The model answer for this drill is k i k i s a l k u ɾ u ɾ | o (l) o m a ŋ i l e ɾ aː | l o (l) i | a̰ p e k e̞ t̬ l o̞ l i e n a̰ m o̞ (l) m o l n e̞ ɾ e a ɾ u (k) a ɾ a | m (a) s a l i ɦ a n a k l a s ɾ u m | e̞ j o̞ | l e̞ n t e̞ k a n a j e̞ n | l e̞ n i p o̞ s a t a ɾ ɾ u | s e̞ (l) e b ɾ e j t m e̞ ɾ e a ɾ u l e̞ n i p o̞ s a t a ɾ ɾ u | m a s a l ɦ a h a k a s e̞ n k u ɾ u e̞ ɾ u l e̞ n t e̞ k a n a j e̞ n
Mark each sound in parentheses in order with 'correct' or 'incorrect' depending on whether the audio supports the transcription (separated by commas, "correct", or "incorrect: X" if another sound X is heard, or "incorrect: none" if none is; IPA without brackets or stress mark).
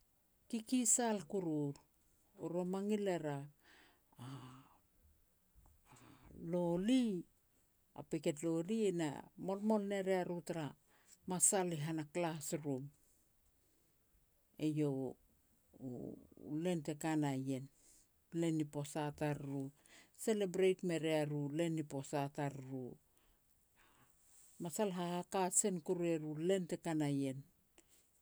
incorrect: ɾ, correct, correct, incorrect: t, correct, correct